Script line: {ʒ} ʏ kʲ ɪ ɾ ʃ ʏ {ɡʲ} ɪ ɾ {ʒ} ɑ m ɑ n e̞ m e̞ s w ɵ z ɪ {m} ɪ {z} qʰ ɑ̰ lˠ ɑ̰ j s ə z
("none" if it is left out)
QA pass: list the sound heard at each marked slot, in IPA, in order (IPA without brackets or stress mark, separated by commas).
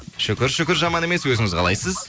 ʃ, kʲ, ʒ, ŋ, z